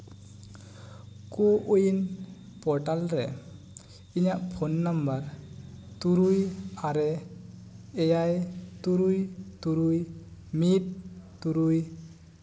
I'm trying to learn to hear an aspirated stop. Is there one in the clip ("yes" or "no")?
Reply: yes